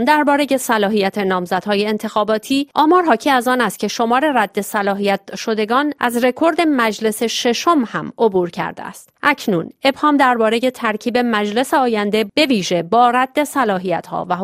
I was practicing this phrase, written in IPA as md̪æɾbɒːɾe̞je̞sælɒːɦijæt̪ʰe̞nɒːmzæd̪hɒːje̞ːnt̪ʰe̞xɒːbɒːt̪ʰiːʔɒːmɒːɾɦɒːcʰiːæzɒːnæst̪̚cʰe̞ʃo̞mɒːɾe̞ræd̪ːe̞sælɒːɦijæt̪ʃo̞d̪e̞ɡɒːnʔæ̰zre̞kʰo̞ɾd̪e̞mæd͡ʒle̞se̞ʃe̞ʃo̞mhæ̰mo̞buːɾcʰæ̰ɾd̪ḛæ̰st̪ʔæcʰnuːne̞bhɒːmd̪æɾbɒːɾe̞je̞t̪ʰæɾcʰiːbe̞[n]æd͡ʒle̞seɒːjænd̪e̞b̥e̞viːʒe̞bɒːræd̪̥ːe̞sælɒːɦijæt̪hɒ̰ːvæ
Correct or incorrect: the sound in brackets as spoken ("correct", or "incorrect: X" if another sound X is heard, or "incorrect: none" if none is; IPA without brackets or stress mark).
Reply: incorrect: m